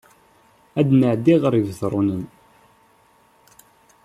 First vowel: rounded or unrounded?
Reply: unrounded